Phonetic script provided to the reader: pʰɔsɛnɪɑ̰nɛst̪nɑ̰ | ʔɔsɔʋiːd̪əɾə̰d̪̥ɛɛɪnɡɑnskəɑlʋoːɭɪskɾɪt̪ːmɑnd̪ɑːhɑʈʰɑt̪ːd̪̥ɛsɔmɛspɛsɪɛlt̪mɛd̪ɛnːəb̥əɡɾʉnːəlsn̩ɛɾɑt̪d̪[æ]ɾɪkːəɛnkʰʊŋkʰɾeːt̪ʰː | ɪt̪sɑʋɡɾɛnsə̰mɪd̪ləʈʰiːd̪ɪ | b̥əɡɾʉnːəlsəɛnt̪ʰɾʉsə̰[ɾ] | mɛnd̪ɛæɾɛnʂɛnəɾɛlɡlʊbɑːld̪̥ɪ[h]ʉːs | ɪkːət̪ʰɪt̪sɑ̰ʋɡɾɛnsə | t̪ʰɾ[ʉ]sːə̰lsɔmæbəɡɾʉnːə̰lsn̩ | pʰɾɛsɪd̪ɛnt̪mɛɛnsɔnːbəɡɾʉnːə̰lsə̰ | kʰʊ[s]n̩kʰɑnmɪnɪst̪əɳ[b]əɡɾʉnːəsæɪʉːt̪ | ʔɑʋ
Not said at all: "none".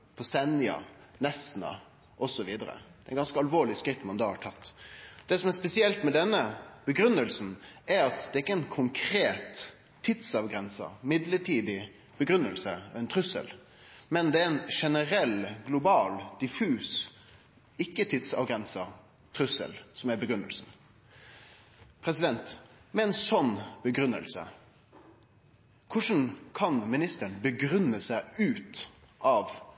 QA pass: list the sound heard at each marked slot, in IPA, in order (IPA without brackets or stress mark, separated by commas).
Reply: ɛ, l, f, ʉ, ʂ, b